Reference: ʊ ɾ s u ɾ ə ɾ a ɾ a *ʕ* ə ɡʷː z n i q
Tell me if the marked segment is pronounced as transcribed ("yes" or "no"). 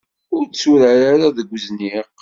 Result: no